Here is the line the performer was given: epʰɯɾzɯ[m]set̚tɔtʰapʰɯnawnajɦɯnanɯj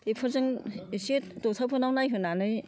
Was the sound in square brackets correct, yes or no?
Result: no